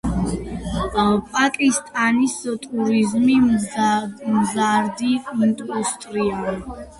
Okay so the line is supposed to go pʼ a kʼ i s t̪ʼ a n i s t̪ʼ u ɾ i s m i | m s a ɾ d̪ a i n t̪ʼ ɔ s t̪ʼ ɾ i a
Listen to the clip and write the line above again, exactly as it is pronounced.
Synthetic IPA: pʼ a kʼ i s t̪ʼ a n i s t̪ʼ u ɾ i z m i | m z a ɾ d̪ i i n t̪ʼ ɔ s t̪ʼ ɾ i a